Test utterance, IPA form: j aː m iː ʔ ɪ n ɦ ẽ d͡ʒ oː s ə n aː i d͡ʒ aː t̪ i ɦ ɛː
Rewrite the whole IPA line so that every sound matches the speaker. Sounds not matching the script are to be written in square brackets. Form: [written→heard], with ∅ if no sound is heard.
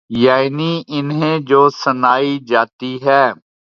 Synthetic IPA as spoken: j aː [m→n] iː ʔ ɪ n ɦ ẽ d͡ʒ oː s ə n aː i d͡ʒ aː t̪ i ɦ ɛː